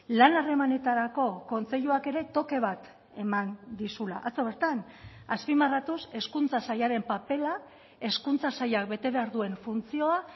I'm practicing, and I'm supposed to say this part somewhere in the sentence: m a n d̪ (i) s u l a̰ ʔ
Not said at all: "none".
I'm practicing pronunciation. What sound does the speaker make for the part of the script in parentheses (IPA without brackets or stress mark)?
i